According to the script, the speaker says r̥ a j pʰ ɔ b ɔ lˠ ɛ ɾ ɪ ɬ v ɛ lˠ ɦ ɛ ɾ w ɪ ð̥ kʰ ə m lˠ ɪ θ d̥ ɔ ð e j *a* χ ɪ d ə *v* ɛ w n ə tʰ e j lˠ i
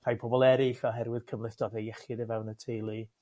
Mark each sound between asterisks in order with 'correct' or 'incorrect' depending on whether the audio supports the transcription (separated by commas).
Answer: incorrect, correct